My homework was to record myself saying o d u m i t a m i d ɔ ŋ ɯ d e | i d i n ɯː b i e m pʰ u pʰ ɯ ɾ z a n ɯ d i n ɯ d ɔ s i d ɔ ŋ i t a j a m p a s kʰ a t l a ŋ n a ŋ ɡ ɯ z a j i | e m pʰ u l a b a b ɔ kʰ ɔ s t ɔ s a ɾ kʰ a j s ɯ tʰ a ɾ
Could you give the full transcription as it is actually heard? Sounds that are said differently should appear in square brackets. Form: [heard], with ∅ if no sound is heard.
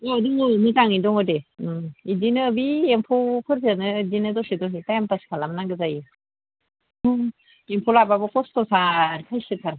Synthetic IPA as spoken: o d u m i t a [ŋ] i d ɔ ŋ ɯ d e | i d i n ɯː b i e m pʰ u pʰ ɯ ɾ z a n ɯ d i n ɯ d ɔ s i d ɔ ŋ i t a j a m p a s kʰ a [∅] l a [m] n a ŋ ɡ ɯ z a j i | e m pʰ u l a b a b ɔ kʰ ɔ s t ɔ s a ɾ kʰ a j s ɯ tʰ a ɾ